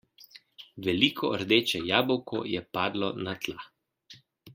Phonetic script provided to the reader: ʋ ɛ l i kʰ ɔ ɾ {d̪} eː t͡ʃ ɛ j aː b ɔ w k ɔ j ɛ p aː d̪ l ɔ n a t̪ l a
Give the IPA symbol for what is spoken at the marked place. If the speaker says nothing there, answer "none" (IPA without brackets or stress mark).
d̪